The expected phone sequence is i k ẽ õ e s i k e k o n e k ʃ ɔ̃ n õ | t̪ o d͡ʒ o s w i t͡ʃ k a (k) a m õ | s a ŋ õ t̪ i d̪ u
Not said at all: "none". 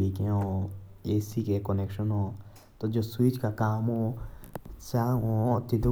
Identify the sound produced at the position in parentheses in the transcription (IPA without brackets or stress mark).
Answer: k